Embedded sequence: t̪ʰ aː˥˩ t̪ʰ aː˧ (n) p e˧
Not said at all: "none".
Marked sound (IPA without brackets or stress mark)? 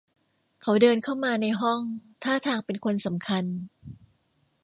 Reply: ŋ